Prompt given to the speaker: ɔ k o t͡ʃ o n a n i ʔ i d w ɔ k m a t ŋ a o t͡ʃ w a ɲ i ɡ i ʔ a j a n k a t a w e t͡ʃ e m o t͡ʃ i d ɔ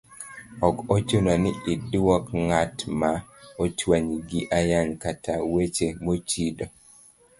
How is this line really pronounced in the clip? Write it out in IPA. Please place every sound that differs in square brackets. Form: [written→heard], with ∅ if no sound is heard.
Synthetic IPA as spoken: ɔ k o t͡ʃ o n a n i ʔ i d w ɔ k [m→ŋ] a t [ŋ→m] a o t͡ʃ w a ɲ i ɡ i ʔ a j a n k a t a w e t͡ʃ e m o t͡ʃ i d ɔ